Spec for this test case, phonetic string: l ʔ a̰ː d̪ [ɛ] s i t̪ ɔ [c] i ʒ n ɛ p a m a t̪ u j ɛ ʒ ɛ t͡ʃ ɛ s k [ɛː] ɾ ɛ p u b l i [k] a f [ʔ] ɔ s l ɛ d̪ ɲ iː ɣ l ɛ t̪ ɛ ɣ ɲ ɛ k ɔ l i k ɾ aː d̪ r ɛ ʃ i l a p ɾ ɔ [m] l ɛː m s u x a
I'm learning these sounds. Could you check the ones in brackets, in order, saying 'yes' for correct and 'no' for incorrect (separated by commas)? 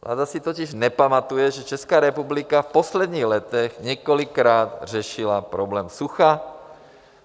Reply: no, yes, no, yes, no, no